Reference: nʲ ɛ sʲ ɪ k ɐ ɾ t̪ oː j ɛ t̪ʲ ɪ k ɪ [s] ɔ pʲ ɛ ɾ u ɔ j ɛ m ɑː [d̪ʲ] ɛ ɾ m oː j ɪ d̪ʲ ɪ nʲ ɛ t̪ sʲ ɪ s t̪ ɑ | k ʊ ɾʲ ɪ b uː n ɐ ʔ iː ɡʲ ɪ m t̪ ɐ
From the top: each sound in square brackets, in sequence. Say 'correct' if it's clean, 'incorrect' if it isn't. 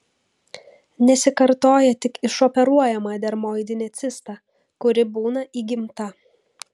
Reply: incorrect, correct

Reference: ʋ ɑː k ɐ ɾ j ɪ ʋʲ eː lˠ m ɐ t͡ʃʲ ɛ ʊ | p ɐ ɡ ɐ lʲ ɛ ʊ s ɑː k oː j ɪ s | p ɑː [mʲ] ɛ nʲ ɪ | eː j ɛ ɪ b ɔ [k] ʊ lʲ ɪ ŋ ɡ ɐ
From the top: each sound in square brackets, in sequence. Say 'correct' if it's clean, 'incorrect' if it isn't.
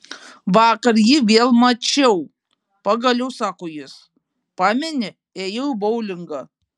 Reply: correct, incorrect

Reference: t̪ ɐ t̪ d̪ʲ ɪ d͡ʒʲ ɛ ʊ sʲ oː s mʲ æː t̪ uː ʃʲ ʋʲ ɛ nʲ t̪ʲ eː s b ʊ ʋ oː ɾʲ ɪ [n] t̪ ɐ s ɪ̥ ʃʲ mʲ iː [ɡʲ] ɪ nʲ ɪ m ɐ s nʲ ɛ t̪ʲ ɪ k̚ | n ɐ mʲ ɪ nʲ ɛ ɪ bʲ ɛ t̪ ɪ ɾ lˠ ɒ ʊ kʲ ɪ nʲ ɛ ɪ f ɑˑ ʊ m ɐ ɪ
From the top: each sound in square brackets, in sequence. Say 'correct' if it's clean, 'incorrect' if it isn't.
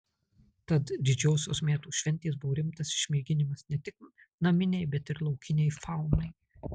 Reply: incorrect, correct

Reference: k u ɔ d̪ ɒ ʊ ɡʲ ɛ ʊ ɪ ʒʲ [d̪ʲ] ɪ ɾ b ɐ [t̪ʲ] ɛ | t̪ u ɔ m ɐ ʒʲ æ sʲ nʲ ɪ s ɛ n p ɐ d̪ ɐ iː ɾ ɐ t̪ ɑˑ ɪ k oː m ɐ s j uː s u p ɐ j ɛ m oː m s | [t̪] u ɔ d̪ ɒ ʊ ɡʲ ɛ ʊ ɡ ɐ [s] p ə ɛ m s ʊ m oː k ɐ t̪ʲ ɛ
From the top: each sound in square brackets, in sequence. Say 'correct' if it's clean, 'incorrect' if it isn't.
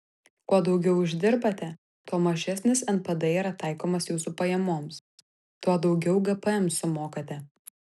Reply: correct, correct, correct, incorrect

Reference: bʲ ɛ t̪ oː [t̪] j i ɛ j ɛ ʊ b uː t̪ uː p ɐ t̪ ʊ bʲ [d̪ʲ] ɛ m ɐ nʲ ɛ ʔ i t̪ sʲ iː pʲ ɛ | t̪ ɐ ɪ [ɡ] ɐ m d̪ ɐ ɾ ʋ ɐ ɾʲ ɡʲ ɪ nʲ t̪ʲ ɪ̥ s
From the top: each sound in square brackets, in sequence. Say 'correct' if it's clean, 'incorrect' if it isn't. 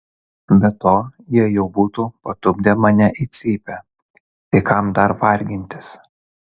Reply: incorrect, correct, incorrect

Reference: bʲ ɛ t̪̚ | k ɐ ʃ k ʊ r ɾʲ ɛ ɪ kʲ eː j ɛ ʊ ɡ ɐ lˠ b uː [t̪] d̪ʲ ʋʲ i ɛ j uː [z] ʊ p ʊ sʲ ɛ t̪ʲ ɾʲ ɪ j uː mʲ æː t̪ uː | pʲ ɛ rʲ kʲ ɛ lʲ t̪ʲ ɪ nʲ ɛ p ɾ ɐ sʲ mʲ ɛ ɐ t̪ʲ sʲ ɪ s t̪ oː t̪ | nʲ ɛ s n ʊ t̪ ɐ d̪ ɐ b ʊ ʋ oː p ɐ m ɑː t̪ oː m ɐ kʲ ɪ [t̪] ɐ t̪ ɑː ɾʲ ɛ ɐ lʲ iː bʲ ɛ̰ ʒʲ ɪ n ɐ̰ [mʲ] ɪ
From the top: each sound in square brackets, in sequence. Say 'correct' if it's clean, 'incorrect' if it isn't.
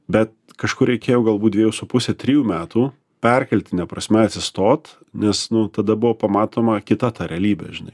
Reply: incorrect, incorrect, correct, incorrect

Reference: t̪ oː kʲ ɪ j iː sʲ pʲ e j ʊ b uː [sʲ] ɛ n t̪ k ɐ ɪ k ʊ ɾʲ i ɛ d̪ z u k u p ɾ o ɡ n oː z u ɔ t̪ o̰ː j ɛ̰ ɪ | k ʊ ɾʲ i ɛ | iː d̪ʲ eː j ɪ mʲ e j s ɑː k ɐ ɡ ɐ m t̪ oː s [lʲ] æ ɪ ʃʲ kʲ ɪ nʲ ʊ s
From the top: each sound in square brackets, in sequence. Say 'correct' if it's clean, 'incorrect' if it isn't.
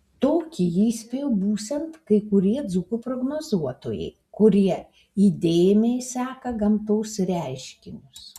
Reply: correct, incorrect

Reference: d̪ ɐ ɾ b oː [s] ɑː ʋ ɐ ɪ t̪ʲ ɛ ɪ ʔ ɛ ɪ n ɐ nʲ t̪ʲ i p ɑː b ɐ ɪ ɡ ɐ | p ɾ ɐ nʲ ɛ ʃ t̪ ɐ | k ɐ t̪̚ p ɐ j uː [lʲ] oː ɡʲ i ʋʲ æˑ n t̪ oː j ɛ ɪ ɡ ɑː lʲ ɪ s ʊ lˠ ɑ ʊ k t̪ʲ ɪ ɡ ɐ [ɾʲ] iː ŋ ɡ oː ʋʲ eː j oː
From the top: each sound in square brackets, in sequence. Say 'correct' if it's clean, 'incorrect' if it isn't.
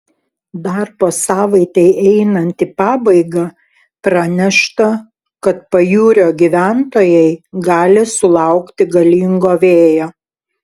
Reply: correct, incorrect, incorrect

